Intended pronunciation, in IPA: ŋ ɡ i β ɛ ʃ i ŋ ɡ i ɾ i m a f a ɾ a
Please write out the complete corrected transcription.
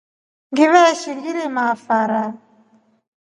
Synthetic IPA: ŋ ɡ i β ɛ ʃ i ŋ ɡ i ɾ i m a f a ɾ a